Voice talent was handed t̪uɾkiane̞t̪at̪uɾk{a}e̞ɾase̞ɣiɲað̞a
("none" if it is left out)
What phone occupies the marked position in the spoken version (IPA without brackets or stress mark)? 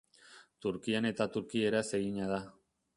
i